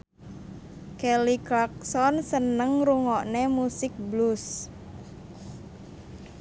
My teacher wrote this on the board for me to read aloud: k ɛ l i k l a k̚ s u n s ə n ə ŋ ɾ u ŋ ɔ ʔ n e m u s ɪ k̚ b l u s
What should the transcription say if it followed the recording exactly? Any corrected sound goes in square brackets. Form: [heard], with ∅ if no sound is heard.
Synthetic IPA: k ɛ l i k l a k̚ s [ɔ] n s ə n ə ŋ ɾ u ŋ ɔ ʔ n e m u s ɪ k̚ b l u s